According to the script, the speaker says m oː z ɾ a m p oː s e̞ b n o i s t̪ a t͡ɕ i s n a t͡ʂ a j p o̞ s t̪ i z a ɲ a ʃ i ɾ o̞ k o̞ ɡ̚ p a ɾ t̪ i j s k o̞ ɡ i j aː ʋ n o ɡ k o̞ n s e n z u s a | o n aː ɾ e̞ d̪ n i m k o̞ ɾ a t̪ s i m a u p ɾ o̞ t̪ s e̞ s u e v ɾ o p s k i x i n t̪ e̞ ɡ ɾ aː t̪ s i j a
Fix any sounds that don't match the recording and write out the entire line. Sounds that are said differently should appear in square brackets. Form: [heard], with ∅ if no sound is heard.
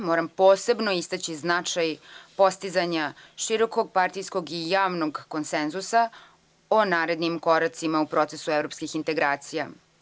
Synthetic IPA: m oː [∅] ɾ a m p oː s e̞ b n o i s t̪ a t͡ɕ i [z] n a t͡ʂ a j p o̞ s t̪ i z a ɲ a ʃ i ɾ o̞ k o̞ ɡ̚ p a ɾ t̪ i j s k o̞ ɡ i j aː ʋ n o ɡ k o̞ n s e n z u s a | o n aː ɾ e̞ d̪ n i m k o̞ ɾ a t̪ s i m a u p ɾ o̞ t̪ s e̞ s u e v ɾ o p s k i x i n t̪ e̞ ɡ ɾ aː t̪ s i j a

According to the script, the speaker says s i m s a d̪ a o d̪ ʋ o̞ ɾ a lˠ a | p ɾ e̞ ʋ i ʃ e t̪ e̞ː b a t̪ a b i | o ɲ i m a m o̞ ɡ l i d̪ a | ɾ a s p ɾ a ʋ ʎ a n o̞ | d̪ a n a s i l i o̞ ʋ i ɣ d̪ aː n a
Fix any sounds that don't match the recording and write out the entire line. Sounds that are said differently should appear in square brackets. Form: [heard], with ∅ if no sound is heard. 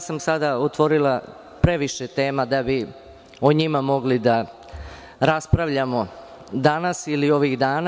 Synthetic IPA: s [a] m s a d̪ a o [t̪] ʋ o̞ ɾ [i] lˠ a | p ɾ e̞ ʋ i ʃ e t̪ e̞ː [m] a [d̪] a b i | o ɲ i m a m o̞ ɡ l i d̪ a | ɾ a s p ɾ a ʋ ʎ a [m] o̞ | d̪ a n a s i l i o̞ ʋ i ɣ d̪ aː n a

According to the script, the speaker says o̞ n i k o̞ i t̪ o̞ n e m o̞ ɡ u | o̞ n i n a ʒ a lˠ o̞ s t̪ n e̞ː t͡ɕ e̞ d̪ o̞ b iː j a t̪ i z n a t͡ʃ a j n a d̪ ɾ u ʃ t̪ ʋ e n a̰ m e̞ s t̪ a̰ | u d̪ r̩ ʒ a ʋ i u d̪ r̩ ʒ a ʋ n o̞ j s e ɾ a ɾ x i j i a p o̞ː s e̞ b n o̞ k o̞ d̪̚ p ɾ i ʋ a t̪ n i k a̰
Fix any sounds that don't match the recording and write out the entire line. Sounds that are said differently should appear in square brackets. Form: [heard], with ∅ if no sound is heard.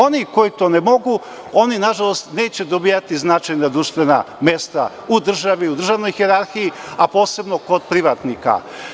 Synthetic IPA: o̞ n i k o̞ i t̪ o̞ n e m o̞ ɡ u | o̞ n i n a ʒ a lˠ o̞ s t̪ n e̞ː t͡ɕ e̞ d̪ o̞ b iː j a t̪ i z n a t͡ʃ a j n a d̪ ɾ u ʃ t̪ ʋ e n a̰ m e̞ s t̪ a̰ | u d̪ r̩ ʒ a ʋ i u d̪ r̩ ʒ a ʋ n o̞ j [x] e ɾ a ɾ x i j i a p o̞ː s e̞ b n o̞ k o̞ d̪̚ p ɾ i ʋ a t̪ n i k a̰

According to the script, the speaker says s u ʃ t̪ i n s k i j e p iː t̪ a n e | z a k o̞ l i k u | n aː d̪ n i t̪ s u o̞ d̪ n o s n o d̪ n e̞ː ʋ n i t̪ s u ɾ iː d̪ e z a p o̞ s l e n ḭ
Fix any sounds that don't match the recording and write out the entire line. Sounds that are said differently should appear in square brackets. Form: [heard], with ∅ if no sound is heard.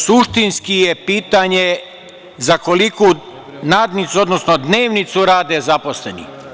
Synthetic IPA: s u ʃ t̪ i n s k i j e p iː t̪ a [ɲ] e | z a k o̞ l i k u | n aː d̪ n i t̪ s u o̞ d̪ n o s n o d̪ n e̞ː ʋ n i t̪ s u ɾ [aː] d̪ e z a p o̞ s l e n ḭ

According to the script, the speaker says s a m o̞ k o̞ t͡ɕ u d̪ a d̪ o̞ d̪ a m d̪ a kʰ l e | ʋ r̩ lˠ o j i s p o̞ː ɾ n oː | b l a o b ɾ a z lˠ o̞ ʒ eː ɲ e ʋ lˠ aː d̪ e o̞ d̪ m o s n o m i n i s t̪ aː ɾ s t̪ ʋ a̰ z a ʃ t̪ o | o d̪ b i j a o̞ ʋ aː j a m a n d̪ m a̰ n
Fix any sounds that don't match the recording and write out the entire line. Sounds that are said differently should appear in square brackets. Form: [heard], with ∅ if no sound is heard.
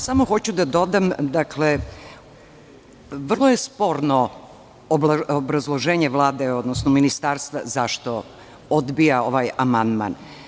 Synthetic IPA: s a m o̞ [x] o̞ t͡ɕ u d̪ a d̪ o̞ d̪ a m d̪ a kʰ l e | ʋ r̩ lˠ o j [e] s p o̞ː ɾ n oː | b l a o b ɾ a z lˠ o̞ ʒ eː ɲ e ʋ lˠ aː d̪ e o̞ d̪ [n] o s n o m i n i s t̪ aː ɾ s t̪ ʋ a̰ z a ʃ t̪ o | o d̪ b i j a o̞ ʋ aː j a m a n d̪ m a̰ n

